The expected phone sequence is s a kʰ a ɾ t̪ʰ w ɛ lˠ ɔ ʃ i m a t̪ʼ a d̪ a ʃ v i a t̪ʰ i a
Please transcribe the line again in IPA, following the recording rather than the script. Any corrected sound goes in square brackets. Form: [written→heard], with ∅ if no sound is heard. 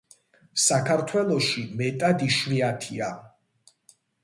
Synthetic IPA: s a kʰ a ɾ t̪ʰ w ɛ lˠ ɔ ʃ i m [a→ɛ] t̪ʼ a d̪ [a→i] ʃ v i a t̪ʰ i a